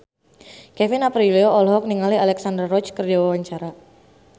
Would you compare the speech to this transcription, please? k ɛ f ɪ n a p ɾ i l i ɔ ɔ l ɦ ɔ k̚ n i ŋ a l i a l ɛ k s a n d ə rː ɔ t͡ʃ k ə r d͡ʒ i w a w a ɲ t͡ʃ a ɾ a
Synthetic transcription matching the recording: k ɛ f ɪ n a p ɾ i l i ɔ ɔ l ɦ ɔ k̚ n i ŋ a l i a l ɛ k s a n d ə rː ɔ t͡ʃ k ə r d͡ʒ a w a w a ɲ t͡ʃ a ɾ a